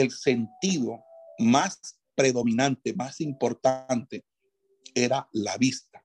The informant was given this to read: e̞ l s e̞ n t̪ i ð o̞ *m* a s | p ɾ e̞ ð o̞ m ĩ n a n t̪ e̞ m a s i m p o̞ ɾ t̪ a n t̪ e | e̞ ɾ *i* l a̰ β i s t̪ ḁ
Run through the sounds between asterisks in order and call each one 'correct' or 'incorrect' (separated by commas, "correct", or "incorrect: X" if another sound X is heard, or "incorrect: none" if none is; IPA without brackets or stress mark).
correct, incorrect: a